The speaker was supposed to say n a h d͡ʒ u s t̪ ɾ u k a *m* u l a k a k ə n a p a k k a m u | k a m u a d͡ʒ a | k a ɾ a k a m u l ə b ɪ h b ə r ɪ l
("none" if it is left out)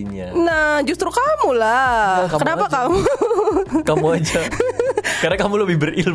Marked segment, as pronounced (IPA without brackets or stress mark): m